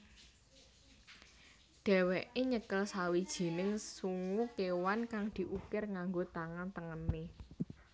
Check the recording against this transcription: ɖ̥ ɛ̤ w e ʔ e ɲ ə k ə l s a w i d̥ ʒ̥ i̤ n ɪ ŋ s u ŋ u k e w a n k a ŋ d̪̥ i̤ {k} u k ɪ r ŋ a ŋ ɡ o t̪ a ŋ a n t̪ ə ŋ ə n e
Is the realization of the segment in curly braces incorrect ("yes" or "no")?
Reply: yes